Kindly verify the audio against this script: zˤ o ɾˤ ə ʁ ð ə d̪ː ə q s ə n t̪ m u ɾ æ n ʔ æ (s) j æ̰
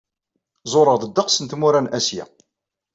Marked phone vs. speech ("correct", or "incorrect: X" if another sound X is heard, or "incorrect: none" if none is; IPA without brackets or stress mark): correct